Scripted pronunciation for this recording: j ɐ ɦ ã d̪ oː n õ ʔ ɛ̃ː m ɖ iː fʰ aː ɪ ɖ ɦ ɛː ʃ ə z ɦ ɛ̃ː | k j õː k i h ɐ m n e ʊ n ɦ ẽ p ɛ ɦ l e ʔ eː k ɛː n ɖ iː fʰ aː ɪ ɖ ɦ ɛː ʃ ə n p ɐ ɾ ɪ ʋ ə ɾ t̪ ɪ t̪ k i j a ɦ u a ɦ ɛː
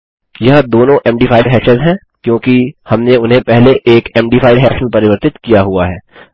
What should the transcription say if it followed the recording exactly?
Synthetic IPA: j ɐ ɦ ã d̪ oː n õ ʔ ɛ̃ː m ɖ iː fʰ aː ɪ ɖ ɦ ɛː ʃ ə z ɦ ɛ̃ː | k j õː k i h ɐ m n e ʊ n ɦ ẽ p ɛ ɦ l e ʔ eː k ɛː m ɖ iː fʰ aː ɪ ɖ ɦ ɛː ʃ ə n p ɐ ɾ ɪ ʋ ə ɾ t̪ ɪ t̪ k i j a ɦ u a ɦ ɛː